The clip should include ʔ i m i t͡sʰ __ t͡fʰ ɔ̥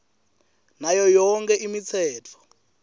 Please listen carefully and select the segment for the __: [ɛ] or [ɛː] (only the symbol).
ɛː